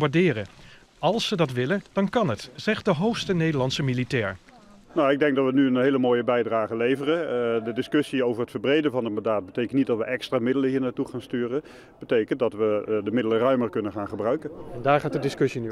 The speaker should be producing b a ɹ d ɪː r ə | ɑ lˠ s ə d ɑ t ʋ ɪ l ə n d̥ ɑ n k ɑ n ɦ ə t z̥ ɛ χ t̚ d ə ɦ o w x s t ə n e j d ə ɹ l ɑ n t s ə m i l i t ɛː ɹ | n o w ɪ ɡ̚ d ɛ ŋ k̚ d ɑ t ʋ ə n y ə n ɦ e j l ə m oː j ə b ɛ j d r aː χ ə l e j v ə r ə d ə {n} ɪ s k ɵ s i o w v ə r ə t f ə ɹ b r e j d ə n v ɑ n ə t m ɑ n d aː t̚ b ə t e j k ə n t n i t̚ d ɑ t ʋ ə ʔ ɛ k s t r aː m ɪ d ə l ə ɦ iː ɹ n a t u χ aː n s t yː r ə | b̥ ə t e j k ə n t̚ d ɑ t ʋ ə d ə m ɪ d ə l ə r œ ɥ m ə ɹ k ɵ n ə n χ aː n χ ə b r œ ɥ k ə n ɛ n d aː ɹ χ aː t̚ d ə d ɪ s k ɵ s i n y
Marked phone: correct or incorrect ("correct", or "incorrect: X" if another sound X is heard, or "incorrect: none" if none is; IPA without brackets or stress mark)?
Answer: incorrect: d